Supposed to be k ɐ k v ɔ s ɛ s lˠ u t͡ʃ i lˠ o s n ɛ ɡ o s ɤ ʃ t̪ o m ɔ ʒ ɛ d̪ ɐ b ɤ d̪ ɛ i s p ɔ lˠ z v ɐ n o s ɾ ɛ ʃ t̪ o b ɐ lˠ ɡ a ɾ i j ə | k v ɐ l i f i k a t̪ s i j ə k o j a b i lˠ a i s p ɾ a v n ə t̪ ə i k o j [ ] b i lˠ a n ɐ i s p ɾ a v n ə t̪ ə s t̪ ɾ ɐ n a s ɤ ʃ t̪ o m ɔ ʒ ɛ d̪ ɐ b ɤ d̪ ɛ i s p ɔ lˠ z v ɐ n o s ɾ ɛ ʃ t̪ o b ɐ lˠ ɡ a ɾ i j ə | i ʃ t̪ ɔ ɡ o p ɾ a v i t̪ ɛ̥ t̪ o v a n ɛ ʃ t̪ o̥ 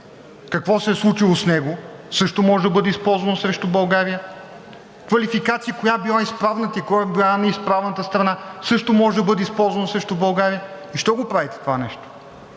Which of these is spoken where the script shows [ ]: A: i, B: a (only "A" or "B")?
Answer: B